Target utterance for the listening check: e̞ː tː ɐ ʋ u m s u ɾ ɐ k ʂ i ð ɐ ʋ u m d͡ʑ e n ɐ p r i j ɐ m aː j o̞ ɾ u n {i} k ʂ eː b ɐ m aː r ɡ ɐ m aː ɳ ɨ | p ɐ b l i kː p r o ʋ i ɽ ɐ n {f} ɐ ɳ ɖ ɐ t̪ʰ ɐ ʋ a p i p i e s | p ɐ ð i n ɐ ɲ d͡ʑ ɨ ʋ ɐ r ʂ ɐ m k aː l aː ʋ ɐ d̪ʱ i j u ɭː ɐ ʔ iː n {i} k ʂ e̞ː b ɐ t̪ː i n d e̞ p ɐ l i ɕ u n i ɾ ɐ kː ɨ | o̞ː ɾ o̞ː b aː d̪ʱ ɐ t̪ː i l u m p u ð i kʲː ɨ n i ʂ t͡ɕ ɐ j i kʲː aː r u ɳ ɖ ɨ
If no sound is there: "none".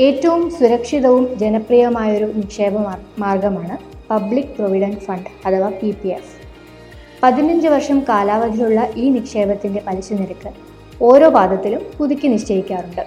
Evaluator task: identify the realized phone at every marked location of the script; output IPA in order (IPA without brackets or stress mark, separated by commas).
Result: i, f, i